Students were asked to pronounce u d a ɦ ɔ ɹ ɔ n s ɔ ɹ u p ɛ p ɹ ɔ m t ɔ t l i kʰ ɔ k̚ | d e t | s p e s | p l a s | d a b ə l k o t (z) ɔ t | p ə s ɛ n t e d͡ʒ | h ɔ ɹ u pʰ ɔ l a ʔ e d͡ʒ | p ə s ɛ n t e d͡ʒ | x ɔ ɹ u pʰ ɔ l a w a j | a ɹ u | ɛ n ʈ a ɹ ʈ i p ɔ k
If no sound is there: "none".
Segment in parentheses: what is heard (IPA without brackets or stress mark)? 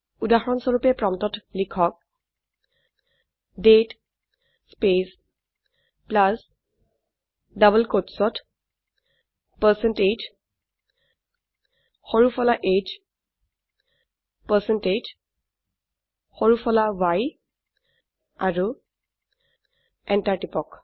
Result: s